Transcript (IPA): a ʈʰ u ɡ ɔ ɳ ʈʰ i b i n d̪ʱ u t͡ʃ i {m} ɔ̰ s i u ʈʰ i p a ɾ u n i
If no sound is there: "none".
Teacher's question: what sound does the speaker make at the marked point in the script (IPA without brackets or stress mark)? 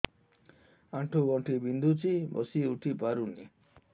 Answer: b